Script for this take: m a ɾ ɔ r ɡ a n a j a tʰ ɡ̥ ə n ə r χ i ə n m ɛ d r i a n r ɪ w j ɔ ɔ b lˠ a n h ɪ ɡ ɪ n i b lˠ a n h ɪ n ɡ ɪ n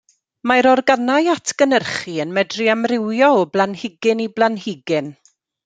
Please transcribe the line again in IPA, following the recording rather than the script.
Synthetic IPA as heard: m a ɾ ɔ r ɡ a n a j a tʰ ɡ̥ ə n ə r χ i ə n m ɛ d r i a m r ɪ w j ɔ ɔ b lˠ a n h ɪ ɡ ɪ n i b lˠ a n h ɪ ɡ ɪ n